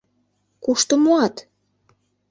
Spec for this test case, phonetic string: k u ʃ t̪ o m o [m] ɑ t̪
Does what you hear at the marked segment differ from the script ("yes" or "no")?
yes